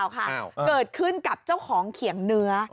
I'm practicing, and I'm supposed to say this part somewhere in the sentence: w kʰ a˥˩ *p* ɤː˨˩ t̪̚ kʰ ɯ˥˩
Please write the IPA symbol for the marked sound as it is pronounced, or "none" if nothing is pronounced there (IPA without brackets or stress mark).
k